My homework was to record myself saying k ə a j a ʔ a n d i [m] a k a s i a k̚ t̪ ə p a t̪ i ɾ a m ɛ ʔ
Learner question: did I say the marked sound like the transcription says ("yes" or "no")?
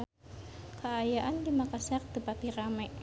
yes